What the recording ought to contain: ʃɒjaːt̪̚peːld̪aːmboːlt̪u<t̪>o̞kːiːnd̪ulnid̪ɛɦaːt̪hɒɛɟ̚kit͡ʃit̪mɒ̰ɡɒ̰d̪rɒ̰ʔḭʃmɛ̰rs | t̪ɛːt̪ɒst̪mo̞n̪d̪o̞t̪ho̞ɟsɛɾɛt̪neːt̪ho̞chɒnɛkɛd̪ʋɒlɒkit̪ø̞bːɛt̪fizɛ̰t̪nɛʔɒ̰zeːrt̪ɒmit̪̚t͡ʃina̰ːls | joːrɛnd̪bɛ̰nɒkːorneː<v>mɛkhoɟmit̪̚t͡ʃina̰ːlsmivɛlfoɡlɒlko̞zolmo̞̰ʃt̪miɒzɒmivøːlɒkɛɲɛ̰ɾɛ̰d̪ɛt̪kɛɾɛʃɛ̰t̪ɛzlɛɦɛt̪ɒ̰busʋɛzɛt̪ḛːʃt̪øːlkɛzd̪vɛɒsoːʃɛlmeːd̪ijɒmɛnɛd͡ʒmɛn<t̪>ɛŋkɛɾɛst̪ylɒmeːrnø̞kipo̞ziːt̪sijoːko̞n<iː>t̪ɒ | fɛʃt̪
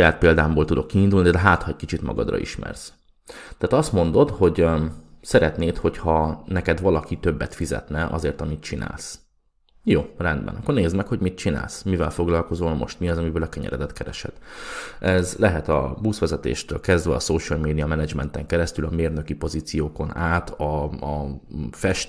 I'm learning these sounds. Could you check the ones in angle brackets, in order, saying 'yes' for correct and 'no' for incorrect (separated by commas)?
no, no, yes, no